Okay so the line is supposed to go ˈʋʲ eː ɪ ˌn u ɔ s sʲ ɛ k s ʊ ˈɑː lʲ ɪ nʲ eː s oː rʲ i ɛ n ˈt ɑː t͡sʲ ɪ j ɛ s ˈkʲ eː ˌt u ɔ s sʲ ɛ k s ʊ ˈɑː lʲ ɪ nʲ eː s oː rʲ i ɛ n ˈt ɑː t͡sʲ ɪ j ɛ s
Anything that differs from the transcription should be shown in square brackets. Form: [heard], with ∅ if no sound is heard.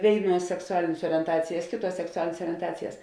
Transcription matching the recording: ˈʋʲ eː ɪ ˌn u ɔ s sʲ ɛ k s ʊ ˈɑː lʲ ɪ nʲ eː s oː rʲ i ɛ n ˈt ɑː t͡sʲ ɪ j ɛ s ˈkʲ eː ˌt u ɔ s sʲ ɛ k s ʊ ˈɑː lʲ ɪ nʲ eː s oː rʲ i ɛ n ˈt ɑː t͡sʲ ɪ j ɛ s